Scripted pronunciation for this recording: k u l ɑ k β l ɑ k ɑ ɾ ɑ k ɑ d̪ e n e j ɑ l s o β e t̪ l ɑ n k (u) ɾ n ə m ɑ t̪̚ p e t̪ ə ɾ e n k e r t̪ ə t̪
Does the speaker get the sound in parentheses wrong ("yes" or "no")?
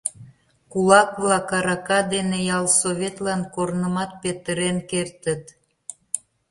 yes